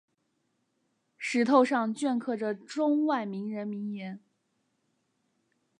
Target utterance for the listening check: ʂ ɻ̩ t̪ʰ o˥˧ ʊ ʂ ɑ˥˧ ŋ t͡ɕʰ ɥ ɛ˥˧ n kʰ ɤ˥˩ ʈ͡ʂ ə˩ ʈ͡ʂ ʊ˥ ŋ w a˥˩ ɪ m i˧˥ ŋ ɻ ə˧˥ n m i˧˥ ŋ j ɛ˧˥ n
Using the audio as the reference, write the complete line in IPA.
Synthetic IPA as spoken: ʂ ɻ̩ t̪ʰ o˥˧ ʊ ʂ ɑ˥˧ ŋ t͡ɕ ɥ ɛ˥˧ n kʰ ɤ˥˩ ʈ͡ʂ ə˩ ʈ͡ʂ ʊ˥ ŋ w a˥˩ ɪ m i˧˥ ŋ ɻ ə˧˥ n m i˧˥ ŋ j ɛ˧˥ n